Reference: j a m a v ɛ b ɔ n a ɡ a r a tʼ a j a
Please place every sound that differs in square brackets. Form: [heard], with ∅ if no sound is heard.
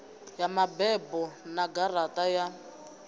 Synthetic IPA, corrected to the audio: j a m a [b] ɛ b ɔ n a ɡ a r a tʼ a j a